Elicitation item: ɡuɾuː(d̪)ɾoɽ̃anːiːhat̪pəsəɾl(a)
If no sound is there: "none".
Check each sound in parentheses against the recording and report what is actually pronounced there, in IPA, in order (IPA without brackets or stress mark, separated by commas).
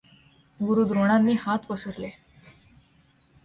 d̪, e